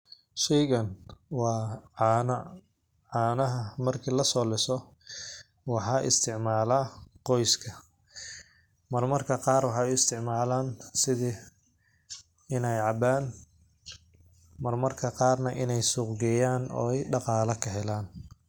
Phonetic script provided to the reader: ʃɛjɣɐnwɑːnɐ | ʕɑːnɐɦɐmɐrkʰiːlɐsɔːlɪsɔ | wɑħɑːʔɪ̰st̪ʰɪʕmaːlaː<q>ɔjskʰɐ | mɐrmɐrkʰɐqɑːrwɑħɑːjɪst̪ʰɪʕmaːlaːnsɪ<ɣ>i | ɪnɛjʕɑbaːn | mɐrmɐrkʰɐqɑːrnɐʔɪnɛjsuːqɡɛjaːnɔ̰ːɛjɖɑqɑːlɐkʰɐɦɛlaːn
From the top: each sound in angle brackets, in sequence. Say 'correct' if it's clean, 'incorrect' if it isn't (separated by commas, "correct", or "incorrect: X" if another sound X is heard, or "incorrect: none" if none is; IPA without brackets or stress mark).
correct, incorrect: ð